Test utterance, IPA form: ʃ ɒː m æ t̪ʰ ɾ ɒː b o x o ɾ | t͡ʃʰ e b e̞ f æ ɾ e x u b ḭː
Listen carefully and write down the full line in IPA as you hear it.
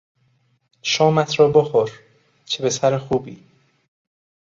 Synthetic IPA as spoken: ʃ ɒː m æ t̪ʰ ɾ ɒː b o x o ɾ | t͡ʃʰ e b e̞ s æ ɾ e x uː b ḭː